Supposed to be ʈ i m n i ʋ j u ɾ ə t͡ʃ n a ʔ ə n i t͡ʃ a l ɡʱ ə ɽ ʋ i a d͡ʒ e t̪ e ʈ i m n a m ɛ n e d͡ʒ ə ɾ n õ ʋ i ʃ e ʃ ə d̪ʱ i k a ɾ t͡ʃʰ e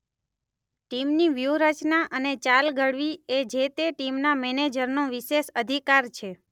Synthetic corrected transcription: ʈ i m n i ʋ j u ɾ ə t͡ʃ n a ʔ ə n e t͡ʃ a l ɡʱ ə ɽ ʋ i e d͡ʒ e t̪ e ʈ i m n a m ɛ n e d͡ʒ ə ɾ n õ ʋ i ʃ e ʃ ə d̪ʱ i k a ɾ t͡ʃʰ e

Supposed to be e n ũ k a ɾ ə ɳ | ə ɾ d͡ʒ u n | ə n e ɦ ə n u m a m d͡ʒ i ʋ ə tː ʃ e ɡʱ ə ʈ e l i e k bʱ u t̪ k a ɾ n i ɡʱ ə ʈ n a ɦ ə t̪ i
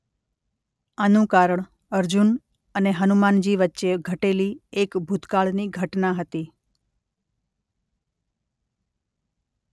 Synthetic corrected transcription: a n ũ k a ɾ ə ɳ | ə ɾ d͡ʒ u n | ə n e ɦ ə n u m a n d͡ʒ i ʋ ə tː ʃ e ɡʱ ə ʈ e l i e k bʱ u t̪ k a ɭ n i ɡʱ ə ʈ n a ɦ ə t̪ i

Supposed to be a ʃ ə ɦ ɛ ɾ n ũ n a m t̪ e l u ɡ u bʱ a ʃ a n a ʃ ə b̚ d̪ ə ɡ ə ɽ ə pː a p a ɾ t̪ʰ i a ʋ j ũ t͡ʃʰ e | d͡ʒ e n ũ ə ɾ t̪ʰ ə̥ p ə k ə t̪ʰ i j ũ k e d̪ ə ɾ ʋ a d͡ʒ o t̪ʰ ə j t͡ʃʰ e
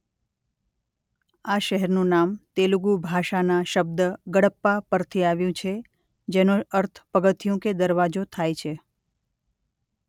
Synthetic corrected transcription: a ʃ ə ɦ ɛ ɾ n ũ n a m t̪ e l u ɡ u bʱ a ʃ a n a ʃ ə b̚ d̪ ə ɡ ə ɽ ə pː a p ə ɾ t̪ʰ i a ʋ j ũ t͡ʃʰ e | d͡ʒ e n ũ ə ɾ t̪ʰ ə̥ p ə ɡ ə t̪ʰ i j ũ k e d̪ ə ɾ ʋ a d͡ʒ o t̪ʰ a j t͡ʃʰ e

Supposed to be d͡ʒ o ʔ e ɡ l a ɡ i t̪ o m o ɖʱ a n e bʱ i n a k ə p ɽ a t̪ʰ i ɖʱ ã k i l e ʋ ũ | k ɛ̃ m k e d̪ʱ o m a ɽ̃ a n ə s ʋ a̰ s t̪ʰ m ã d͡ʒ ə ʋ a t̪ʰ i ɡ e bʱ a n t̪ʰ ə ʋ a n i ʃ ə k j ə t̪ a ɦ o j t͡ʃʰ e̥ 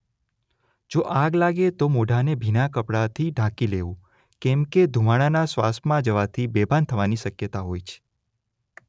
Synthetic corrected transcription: d͡ʒ o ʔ a ɡ l a ɡ e t̪ o m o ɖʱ a n e bʱ i n a k ə p ɽ a t̪ʰ i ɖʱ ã k i l e ʋ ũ | k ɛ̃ m k e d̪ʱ u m a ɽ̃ a n a s ʋ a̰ s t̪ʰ m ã d͡ʒ ə ʋ a t̪ʰ i b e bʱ a n t̪ʰ ə ʋ a n i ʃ ə k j ə t̪ a ɦ o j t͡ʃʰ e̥

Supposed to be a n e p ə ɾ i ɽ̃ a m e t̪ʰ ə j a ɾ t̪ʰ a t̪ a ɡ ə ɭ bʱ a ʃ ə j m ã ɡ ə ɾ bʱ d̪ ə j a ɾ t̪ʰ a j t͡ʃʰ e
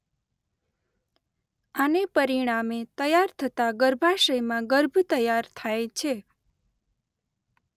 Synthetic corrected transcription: a n e p ə ɾ i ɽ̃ a m e t̪ ə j a ɾ t̪ʰ ə t̪ a ɡ ə ɾ bʱ a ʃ ə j m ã ɡ ə ɾ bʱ t̪ ə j a ɾ t̪ʰ a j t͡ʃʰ e

